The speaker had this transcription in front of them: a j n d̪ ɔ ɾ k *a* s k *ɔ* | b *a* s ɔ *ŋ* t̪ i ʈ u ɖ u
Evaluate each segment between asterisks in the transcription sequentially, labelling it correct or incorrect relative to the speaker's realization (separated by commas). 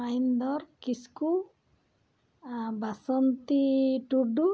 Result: incorrect, incorrect, correct, incorrect